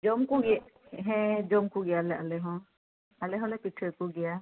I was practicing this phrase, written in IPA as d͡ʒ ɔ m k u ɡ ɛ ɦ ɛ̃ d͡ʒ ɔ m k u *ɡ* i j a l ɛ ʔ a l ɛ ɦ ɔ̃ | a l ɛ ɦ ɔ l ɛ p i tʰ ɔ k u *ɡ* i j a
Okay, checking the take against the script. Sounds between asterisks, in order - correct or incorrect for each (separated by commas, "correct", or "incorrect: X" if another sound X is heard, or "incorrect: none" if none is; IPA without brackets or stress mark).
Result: correct, correct